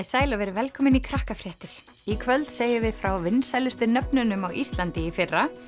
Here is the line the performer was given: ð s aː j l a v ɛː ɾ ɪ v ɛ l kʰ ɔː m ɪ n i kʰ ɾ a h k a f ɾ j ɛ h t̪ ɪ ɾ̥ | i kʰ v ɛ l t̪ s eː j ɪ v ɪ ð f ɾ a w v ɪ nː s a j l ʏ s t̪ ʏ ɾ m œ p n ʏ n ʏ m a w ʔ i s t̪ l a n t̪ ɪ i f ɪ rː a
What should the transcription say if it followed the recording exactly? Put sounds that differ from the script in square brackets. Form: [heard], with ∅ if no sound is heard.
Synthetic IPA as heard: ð s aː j l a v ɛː ɾ ɪ v ɛ l kʰ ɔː m ɪ n i kʰ ɾ a h k a f ɾ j ɛ h t̪ ɪ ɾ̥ | i kʰ v [œ] l t̪ s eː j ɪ v ɪ ð f ɾ a w v ɪ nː s a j l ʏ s t̪ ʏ ɾ [n] œ p n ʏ n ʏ m a w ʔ i s t̪ l a n t̪ ɪ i f ɪ rː a